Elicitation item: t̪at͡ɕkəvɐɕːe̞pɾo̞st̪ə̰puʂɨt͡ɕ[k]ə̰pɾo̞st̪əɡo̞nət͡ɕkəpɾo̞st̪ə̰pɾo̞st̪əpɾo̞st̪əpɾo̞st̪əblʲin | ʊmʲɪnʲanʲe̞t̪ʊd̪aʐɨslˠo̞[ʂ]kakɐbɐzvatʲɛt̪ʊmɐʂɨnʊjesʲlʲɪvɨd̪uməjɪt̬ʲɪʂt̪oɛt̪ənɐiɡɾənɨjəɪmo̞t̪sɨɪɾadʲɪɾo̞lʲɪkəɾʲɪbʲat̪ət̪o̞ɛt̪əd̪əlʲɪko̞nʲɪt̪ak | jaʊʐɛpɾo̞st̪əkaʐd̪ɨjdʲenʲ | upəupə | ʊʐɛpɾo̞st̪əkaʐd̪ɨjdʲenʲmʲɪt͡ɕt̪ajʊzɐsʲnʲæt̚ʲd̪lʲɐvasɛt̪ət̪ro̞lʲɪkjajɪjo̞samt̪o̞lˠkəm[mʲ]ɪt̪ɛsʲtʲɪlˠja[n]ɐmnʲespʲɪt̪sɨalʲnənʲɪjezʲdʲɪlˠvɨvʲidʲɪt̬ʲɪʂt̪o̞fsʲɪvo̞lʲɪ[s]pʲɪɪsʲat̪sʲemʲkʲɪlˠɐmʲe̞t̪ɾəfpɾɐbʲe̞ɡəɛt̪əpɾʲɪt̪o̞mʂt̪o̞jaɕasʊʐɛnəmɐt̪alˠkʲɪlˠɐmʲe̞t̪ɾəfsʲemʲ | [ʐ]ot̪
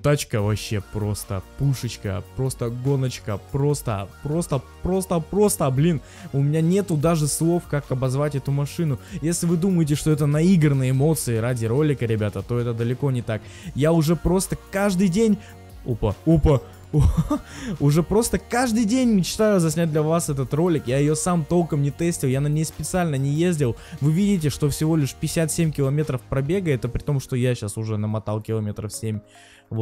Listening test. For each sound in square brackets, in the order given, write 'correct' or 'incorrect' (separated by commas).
correct, incorrect, incorrect, correct, incorrect, incorrect